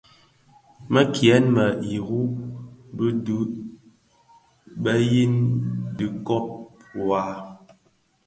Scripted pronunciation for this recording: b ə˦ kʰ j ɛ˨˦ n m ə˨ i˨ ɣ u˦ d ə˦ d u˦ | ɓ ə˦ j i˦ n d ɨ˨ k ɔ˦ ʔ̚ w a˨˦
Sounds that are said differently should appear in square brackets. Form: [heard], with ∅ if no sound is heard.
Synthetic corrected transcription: [m] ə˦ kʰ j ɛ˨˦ n m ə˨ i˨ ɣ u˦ [b] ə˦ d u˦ | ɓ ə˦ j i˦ n d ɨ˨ k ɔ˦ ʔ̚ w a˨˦